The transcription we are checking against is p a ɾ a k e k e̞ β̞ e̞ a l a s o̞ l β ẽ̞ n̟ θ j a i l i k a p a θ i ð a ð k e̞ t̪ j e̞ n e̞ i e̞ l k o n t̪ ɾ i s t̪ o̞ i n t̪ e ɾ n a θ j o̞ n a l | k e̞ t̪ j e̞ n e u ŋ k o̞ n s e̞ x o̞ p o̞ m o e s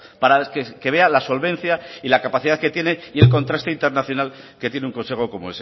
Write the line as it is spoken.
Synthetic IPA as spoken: p a ɾ a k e k e̞ β̞ e̞ a l a s o̞ l β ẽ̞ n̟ θ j a i l a k a p a θ i ð a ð k e̞ t̪ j e̞ n e̞ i e̞ l k o n t̪ ɾ a s t̪ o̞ i n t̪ e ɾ n a θ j o̞ n a l | k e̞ t̪ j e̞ n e u ŋ k o̞ n s e̞ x o̞ k o̞ m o e s